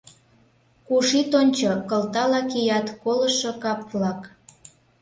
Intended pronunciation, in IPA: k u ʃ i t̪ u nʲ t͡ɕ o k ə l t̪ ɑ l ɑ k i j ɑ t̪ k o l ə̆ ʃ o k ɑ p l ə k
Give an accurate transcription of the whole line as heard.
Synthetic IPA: k u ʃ i t̪ o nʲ t͡ɕ o k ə l t̪ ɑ l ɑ k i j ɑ t̪ k o l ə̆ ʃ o k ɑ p l ɑ k